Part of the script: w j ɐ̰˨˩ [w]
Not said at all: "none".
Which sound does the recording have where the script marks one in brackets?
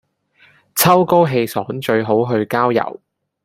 w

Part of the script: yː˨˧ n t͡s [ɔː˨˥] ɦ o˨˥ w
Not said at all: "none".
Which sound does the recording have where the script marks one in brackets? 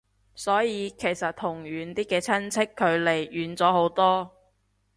ɔː˨˥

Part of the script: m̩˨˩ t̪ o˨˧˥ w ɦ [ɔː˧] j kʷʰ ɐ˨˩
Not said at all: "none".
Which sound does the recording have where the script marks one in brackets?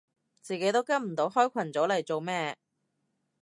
ɔː˥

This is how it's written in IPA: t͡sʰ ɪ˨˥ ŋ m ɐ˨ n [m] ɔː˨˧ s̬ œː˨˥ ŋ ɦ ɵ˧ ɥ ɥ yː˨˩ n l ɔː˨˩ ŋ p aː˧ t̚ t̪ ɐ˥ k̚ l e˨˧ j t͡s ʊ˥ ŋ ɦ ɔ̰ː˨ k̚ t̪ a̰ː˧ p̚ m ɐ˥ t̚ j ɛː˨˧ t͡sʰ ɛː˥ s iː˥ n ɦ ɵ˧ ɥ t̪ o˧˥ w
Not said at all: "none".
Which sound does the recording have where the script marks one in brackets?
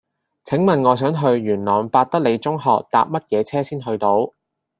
ŋ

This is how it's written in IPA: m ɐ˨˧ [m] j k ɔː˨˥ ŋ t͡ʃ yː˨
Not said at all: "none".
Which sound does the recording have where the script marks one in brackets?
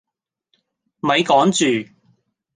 none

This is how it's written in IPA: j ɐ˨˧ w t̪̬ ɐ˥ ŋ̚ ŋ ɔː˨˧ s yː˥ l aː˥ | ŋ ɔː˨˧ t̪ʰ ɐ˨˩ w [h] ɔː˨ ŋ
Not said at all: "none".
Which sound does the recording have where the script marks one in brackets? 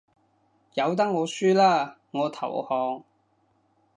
h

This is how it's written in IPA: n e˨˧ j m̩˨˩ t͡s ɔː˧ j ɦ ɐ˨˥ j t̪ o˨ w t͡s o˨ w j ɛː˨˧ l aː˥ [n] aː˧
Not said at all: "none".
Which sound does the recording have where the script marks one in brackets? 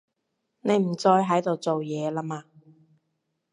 m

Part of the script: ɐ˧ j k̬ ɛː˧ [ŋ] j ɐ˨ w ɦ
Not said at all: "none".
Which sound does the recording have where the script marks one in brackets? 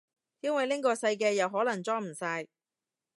none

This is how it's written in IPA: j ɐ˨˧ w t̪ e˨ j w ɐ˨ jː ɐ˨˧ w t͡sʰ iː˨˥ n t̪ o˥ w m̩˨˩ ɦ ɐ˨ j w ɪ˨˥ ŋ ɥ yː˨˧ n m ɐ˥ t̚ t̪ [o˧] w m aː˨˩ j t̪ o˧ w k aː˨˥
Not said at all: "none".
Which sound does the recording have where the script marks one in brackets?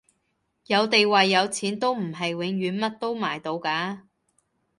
o˥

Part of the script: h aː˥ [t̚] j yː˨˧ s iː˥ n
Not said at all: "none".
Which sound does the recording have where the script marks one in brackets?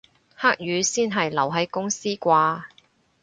k̚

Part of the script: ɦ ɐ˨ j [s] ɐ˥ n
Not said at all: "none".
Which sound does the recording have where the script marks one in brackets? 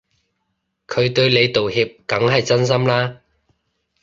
t͡s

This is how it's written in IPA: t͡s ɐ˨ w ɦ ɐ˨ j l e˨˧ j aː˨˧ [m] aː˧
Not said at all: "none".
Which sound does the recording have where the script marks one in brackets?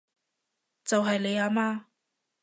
m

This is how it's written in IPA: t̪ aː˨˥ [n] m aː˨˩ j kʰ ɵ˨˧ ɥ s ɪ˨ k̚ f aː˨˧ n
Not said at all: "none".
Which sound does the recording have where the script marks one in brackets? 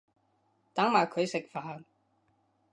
ŋ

